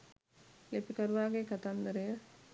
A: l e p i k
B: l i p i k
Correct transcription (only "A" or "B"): A